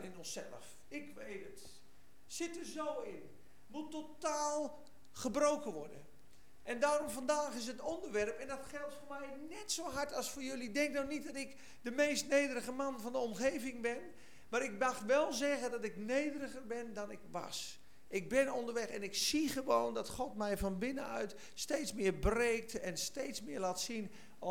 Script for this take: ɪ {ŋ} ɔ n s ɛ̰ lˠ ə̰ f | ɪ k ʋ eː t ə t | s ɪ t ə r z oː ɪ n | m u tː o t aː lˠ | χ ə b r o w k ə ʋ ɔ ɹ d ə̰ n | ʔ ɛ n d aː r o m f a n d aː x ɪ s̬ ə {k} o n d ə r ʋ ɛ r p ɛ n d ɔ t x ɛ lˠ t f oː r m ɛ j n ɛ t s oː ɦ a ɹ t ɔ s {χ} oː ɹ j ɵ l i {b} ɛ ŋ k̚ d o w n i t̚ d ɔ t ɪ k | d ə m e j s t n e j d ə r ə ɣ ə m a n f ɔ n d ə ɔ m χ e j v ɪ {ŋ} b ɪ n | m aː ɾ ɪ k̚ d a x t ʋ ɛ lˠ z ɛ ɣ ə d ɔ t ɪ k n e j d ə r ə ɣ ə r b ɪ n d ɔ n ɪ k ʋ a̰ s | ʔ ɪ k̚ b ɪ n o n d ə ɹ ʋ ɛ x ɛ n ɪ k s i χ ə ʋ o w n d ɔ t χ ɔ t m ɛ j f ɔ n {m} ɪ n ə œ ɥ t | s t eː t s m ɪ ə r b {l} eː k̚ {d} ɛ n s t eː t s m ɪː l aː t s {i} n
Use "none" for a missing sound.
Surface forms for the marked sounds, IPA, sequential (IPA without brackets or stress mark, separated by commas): n, t, f, d, ŋ, b, r, t, i